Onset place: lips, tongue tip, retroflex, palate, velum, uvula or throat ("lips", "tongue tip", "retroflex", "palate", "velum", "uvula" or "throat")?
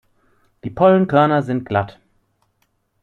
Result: tongue tip